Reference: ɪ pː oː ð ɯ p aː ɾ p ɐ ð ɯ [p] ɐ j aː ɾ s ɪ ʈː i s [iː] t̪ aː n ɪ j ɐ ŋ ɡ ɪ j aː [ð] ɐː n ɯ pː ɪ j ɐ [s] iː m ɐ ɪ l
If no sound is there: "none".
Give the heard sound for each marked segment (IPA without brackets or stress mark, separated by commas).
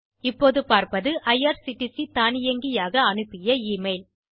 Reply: ʔ, i, ɣ, none